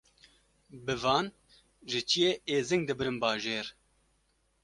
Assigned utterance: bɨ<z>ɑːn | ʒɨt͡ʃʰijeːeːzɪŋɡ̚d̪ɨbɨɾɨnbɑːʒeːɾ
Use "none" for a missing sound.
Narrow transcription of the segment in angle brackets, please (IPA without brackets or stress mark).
v